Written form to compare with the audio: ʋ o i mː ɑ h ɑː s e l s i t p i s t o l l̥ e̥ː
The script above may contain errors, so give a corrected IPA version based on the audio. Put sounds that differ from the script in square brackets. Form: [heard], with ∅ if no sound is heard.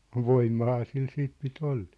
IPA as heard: ʋ o i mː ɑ h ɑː s [i] l s [iː] t p i [∅] t o l l̥ e̥ː